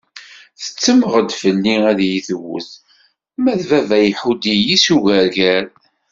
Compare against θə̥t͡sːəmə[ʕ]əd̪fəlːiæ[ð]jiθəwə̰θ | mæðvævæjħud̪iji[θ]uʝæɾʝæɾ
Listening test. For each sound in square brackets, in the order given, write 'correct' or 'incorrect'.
incorrect: ʁ, correct, incorrect: s

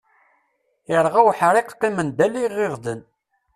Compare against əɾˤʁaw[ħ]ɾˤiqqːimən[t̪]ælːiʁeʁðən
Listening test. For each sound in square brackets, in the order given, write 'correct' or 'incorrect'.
correct, incorrect: d̪

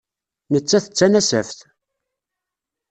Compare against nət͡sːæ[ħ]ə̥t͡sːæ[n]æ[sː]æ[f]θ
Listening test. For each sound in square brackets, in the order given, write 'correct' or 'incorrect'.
incorrect: θ, correct, incorrect: s, correct

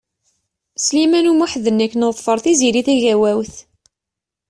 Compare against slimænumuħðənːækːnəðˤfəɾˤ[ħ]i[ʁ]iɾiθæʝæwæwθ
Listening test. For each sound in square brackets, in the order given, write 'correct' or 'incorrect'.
incorrect: θ, incorrect: z

